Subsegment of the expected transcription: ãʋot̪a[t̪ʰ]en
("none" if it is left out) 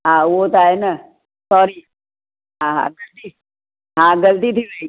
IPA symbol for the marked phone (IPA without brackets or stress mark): none